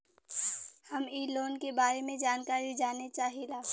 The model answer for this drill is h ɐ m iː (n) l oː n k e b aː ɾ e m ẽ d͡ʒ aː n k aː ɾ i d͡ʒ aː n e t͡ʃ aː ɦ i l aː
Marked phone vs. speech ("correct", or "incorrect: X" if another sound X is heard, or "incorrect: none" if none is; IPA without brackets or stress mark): incorrect: none